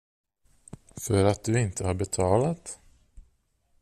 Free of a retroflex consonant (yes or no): yes